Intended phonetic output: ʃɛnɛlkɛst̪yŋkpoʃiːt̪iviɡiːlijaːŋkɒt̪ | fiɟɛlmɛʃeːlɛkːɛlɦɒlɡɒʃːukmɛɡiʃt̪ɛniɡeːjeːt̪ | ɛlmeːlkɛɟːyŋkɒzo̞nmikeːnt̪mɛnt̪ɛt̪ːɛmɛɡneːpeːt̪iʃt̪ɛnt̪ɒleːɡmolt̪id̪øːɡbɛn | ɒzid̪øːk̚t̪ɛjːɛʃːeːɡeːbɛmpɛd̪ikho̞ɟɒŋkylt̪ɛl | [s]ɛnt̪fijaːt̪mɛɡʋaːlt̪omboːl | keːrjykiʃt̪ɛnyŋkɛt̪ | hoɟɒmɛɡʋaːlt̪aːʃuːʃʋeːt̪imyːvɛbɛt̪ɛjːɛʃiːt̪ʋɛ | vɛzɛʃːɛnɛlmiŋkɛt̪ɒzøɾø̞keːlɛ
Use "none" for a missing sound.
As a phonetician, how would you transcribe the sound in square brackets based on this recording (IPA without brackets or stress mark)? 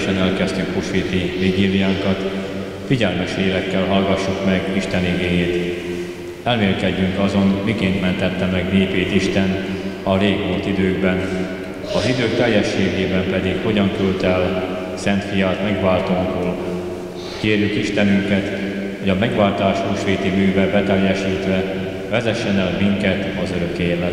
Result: s